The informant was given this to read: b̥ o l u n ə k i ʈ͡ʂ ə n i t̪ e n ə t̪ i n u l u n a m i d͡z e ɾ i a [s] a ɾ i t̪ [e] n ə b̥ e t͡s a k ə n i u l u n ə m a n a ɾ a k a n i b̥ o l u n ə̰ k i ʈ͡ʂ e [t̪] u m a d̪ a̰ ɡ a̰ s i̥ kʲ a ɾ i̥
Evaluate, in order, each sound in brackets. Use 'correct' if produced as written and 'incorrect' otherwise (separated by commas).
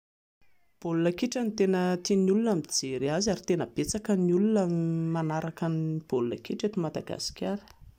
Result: incorrect, correct, correct